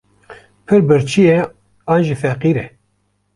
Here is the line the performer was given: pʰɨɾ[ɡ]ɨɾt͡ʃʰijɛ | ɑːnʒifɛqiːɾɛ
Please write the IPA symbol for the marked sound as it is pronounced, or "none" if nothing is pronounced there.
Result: b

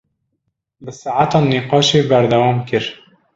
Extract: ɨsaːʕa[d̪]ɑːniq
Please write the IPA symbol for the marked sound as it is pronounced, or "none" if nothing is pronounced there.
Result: t̪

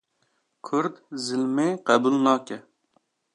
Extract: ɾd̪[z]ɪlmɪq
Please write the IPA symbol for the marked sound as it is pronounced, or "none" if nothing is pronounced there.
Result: z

